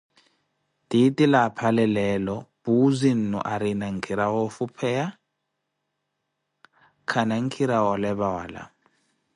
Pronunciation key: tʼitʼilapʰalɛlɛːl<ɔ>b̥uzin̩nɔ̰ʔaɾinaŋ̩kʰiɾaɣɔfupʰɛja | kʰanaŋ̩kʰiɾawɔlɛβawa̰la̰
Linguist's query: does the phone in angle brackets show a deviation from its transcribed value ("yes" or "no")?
no